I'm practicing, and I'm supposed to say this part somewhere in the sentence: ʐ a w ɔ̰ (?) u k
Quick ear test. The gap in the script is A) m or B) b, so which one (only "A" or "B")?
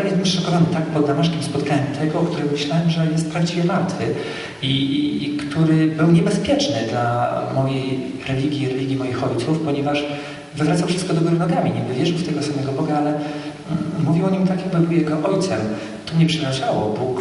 B